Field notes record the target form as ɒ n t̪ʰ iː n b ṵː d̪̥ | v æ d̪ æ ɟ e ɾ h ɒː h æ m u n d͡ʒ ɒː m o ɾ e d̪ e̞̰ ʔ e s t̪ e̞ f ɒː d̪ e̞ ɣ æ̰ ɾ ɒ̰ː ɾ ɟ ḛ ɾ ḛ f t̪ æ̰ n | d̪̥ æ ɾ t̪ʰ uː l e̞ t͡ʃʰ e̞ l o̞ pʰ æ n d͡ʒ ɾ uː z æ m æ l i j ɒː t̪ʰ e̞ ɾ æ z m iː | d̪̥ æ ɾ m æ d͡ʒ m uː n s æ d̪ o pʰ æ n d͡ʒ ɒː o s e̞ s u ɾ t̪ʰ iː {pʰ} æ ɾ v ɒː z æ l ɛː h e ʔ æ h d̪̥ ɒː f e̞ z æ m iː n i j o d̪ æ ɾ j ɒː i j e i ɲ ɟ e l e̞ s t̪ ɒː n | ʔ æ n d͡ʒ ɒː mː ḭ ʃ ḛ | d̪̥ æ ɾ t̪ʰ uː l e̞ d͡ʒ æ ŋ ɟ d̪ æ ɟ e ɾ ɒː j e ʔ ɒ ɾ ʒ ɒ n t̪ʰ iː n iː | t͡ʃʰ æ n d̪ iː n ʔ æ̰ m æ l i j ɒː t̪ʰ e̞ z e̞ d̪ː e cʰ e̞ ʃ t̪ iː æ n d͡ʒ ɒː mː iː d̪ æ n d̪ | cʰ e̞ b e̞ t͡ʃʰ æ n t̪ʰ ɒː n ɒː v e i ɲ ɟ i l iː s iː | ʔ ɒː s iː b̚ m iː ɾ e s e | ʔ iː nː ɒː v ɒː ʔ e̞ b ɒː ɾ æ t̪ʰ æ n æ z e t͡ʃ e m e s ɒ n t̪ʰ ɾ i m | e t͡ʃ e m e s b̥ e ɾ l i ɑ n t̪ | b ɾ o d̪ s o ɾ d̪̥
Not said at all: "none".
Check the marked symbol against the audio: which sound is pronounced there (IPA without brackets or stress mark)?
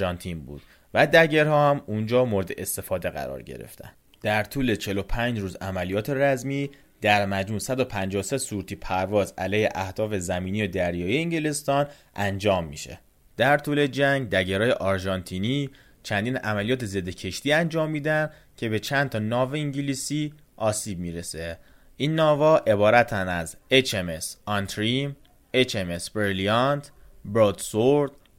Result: pʰ